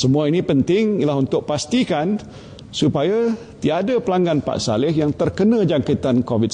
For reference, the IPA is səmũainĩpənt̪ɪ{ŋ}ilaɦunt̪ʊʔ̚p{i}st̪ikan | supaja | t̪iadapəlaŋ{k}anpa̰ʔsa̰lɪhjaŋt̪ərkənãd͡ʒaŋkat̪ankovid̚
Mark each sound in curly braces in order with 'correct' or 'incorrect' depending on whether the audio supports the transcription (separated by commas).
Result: correct, incorrect, incorrect